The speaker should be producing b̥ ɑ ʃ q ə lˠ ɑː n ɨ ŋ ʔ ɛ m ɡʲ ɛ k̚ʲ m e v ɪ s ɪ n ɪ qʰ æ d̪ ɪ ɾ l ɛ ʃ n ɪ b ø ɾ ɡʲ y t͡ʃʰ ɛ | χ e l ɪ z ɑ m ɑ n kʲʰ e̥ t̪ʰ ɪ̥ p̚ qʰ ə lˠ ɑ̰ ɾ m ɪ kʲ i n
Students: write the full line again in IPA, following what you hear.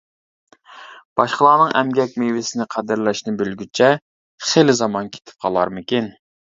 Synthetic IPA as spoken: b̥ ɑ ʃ q ə lˠ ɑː n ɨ ŋ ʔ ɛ m ɡʲ ɛ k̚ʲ m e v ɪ s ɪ n ɪ qʰ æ d̪ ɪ ɾ l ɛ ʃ n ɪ b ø l ɡʲ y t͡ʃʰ ɛ | χ e l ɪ z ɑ m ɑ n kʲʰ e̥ t̪ʰ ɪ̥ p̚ qʰ ɑ lˠ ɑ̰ ɾ m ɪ kʲ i n